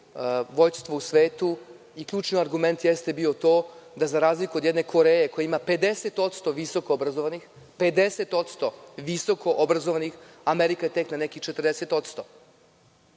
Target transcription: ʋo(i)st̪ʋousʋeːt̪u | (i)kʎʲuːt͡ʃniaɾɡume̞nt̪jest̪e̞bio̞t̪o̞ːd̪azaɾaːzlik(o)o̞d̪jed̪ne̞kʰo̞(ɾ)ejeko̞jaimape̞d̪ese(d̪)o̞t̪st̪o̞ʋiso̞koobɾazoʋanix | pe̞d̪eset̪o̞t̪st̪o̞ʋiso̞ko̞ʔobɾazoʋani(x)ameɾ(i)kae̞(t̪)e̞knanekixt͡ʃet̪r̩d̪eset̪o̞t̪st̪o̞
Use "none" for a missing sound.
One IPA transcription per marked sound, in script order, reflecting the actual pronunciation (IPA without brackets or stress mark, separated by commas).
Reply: j, i, u, ɾ, t̪, x, i, t̪